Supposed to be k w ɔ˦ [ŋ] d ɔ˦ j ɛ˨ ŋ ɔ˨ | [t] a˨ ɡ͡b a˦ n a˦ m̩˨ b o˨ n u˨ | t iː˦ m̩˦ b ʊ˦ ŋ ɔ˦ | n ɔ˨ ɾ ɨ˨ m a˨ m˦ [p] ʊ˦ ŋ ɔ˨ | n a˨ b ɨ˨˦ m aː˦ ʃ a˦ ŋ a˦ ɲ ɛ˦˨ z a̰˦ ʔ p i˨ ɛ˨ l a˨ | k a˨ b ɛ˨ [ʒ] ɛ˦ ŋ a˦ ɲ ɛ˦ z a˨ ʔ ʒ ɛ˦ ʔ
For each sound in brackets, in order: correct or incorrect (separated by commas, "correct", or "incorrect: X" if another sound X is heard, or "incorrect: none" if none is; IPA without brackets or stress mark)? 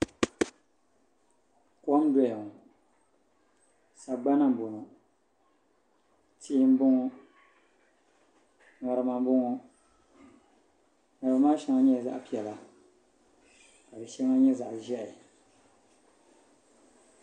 incorrect: m, incorrect: s, incorrect: b, incorrect: ʃ